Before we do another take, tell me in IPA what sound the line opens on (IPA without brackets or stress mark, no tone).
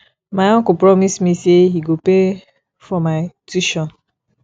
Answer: m